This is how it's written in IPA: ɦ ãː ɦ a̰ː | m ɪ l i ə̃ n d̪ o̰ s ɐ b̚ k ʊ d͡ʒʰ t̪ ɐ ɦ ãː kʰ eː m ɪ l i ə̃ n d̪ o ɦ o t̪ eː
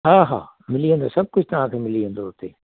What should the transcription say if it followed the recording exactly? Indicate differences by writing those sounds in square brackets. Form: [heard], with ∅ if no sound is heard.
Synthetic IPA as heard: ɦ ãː ɦ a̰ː | m ɪ l i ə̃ n d̪ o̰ s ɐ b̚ k ʊ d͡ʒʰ t̪ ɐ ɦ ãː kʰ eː m ɪ l i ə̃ n d̪ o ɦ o t̪ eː